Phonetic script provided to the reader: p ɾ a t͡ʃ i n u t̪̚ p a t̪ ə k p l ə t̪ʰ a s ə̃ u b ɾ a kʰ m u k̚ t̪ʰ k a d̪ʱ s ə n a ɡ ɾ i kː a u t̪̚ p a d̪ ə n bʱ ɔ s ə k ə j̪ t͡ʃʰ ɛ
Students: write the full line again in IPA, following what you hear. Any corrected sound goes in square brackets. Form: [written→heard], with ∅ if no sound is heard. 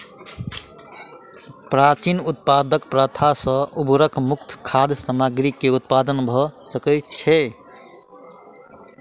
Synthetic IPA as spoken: p ɾ a t͡ʃ i n u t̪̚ p a [t̪→d̪] ə k p [l→ɾ] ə t̪ʰ a s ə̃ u b ɾ [a→ə] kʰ m u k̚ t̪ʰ [k→kʰ] a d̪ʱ s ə [n→m] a ɡ ɾ i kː [a→e] u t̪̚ p a d̪ ə n bʱ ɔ s ə k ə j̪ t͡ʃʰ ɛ